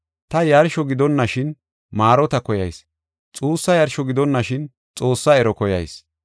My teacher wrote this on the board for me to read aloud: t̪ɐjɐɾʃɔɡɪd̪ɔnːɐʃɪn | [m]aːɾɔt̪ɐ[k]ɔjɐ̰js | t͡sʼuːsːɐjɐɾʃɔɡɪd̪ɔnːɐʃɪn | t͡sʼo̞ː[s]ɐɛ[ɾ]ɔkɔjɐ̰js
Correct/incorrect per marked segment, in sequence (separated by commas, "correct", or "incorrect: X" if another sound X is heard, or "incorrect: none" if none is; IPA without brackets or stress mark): correct, correct, incorrect: sː, correct